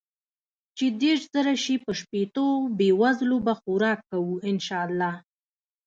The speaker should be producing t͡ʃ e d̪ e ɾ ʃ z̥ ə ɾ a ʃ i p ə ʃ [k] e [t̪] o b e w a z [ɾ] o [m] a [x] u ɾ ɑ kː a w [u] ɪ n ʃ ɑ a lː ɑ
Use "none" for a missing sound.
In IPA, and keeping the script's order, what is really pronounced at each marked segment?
p, t̪, l, b, x, u

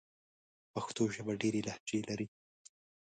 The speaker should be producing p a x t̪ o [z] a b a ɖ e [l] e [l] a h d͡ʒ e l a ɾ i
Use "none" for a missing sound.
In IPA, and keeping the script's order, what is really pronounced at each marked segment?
ʒ, ɾ, l

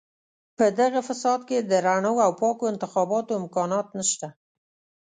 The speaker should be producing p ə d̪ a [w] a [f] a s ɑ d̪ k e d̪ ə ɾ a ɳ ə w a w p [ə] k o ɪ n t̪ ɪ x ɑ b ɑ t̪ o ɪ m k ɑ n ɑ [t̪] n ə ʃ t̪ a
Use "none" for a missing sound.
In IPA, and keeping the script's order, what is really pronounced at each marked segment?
ɣ, f, ɑ, t̪

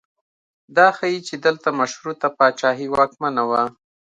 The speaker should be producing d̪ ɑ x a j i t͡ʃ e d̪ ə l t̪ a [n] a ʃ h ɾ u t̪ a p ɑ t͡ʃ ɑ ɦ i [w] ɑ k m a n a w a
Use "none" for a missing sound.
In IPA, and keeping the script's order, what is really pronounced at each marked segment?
m, w

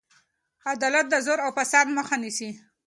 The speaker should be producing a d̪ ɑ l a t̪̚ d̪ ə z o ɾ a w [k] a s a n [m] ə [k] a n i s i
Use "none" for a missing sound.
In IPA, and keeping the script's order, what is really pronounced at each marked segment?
p, m, x

